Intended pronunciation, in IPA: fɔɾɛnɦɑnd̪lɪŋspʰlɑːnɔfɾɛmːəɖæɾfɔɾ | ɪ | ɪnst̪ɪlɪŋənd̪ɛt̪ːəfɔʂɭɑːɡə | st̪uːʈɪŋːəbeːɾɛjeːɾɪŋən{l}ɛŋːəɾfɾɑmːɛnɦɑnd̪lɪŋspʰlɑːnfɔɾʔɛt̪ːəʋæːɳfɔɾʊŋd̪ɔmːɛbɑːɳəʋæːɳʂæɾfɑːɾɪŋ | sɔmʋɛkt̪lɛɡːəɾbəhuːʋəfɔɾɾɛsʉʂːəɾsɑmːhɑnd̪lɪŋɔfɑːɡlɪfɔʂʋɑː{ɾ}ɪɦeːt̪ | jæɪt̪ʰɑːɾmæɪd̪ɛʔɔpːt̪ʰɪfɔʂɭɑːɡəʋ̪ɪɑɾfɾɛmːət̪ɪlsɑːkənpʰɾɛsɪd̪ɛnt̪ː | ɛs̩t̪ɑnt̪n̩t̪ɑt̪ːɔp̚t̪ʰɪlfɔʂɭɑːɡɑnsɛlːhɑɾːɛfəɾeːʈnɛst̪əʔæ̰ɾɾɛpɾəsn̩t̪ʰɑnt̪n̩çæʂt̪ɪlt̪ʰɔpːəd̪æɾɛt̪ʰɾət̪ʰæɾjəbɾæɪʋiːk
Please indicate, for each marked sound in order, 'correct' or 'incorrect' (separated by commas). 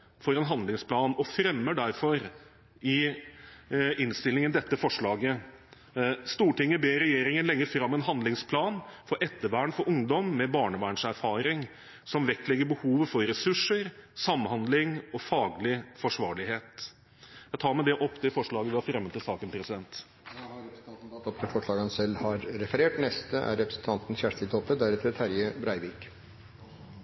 correct, incorrect